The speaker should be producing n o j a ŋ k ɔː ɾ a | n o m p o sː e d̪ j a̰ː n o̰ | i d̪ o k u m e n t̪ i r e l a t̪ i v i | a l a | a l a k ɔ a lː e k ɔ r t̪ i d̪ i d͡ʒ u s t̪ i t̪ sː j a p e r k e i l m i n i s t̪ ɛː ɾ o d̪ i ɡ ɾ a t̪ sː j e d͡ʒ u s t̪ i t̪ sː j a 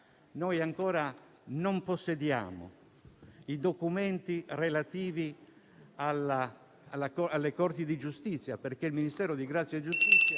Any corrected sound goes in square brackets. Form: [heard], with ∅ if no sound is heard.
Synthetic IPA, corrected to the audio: n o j a ŋ k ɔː ɾ a | n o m p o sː e d̪ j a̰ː [m] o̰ | i d̪ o k u m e n t̪ i r e l a t̪ [iː] v i | a l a | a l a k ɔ a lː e k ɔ r t̪ i d̪ i d͡ʒ u s t̪ i t̪ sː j a p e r k e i l m i n i s t̪ ɛː ɾ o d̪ i ɡ ɾ a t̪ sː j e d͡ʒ u s t̪ i t̪ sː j a